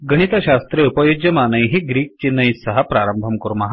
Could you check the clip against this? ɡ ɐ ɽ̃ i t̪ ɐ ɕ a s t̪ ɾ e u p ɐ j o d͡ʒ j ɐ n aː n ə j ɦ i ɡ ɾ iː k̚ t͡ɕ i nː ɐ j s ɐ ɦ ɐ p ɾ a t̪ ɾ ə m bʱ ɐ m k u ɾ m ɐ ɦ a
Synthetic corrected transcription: ɡ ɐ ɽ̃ i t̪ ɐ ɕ a s t̪ ɾ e u p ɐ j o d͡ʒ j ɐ m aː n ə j ɦ i ɡ ɾ iː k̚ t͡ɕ i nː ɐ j s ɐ ɦ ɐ p ɾ a ɾ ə m bʱ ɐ m k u ɾ m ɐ ɦ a